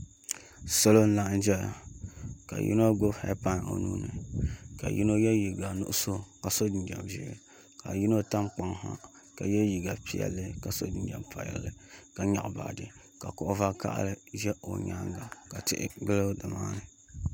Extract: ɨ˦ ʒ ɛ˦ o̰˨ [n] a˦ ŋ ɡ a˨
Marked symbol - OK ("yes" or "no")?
no